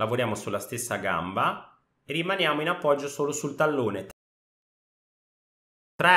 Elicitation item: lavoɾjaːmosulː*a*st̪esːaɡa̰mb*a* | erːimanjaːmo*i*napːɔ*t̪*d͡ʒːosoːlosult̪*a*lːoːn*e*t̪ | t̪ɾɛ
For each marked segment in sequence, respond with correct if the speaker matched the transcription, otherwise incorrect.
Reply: correct, correct, correct, incorrect: none, correct, correct

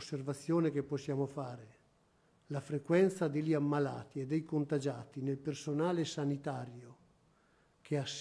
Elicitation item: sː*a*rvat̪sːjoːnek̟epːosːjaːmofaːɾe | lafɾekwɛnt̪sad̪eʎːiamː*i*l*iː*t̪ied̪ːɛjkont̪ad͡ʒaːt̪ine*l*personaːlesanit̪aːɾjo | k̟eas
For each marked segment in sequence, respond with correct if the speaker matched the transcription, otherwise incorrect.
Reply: incorrect: e, incorrect: a, incorrect: aː, correct

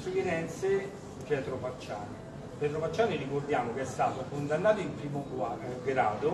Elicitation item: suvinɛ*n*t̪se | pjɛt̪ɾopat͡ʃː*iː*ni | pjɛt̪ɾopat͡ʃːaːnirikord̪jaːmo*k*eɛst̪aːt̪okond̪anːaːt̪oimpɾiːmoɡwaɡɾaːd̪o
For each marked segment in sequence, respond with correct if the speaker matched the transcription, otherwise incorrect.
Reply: correct, incorrect: aː, correct

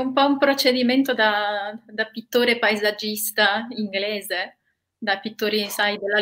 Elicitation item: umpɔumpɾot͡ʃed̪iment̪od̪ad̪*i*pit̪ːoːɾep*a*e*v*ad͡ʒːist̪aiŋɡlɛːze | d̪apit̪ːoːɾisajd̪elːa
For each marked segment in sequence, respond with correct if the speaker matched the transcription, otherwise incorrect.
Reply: incorrect: a, correct, incorrect: z

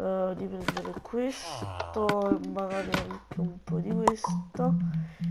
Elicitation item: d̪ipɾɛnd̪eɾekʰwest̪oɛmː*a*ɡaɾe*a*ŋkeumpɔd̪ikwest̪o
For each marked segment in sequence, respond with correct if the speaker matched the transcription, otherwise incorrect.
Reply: correct, correct

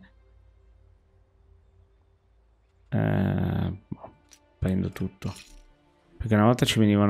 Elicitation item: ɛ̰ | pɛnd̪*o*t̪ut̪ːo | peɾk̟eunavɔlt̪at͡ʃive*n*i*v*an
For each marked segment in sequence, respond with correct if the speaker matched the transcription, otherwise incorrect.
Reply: correct, correct, correct

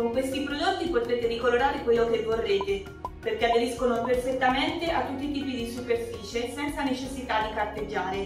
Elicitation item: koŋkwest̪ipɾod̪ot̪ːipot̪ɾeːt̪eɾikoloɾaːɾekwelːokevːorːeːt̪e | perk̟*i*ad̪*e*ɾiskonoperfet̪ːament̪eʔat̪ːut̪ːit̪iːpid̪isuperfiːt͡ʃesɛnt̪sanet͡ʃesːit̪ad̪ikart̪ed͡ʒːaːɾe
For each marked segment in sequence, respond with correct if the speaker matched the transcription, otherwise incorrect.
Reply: incorrect: e, correct

